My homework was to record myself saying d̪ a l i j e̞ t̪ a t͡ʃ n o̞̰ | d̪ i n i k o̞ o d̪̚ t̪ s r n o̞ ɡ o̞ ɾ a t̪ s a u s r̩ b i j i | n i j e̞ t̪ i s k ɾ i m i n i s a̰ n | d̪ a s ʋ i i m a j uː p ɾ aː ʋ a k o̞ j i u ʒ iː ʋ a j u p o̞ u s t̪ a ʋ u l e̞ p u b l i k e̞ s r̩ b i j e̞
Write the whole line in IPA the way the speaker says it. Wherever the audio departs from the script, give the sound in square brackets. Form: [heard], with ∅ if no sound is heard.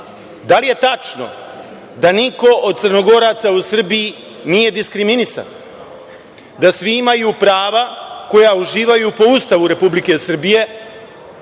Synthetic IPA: d̪ a l i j e̞ t̪ a t͡ʃ n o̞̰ | d̪ [a] n i k o̞ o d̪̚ t̪ s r n o̞ ɡ o̞ ɾ a t̪ s a u s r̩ b i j i | n i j e̞ [d̪] i s k ɾ i m i n i s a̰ n | d̪ a s ʋ i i m a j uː p ɾ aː ʋ a k o̞ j [a] u ʒ iː ʋ a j u p o̞ u s t̪ a ʋ u [ɾ] e̞ p u b l i k e̞ s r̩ b i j e̞